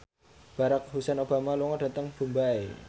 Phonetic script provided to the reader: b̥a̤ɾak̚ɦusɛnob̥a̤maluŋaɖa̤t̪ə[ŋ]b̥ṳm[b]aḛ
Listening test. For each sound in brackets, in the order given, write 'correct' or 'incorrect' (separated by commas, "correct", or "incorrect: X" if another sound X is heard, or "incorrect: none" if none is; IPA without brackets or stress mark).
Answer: correct, correct